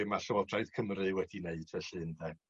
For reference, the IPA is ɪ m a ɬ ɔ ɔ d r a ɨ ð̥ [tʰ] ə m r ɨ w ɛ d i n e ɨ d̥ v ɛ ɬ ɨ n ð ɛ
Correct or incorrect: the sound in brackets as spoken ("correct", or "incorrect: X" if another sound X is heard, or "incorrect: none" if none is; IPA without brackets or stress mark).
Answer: incorrect: kʰ